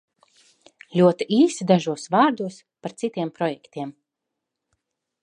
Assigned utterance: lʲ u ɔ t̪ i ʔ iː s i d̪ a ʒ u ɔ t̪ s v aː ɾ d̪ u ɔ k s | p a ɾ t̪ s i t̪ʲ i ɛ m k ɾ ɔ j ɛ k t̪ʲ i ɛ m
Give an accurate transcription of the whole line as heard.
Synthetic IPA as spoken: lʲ u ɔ t̪ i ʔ iː s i d̪ a ʒ u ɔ s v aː ɾ d̪ u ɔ s | p a ɾ t̪ s i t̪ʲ i ɛ m p ɾ ɔ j ɛ k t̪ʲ i ɛ m